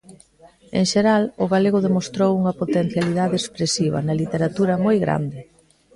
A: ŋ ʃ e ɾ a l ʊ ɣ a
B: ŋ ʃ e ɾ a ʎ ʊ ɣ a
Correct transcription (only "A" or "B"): A